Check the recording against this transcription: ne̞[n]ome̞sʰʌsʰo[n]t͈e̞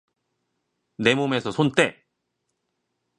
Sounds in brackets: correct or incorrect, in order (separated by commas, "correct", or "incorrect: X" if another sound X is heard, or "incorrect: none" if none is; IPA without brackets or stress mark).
incorrect: m, correct